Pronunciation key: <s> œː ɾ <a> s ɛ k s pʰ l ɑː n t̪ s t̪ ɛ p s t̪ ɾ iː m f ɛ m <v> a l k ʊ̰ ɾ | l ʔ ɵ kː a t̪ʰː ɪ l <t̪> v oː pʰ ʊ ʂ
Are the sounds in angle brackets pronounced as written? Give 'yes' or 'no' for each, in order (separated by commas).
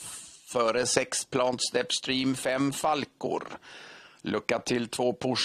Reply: no, no, no, no